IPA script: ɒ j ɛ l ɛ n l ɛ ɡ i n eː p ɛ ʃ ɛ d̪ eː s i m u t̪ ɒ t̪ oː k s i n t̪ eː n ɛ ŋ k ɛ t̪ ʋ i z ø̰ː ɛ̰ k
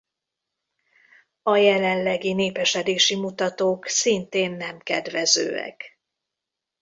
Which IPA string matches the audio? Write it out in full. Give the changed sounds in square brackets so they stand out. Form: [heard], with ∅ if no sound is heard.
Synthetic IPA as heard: ɒ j ɛ l ɛ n l ɛ ɡ i n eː p ɛ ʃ ɛ d̪ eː [ʃ] i m u t̪ ɒ t̪ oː k s i n t̪ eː [nː] ɛ [m] k ɛ [d̪] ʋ [ɛ] z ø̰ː ɛ̰ k